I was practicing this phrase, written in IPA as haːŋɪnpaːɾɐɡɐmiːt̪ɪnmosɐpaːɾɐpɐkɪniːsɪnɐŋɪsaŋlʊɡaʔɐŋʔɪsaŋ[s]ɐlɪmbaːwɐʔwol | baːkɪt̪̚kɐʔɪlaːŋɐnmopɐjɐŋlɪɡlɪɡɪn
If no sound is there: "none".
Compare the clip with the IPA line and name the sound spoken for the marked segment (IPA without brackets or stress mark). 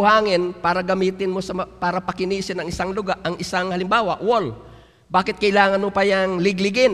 h